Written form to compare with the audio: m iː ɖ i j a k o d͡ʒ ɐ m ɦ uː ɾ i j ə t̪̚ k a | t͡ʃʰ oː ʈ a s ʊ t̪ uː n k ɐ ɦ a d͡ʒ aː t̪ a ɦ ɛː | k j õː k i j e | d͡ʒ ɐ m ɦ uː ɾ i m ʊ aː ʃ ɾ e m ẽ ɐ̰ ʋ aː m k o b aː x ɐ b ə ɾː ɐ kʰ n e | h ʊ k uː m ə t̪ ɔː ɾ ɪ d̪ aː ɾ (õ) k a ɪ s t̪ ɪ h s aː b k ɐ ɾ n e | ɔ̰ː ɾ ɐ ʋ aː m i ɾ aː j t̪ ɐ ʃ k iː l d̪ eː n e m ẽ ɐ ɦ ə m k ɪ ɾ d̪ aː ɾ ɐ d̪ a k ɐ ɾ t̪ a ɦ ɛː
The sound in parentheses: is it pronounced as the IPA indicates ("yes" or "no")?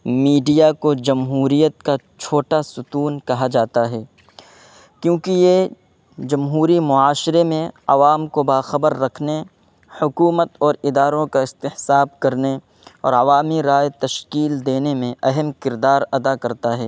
yes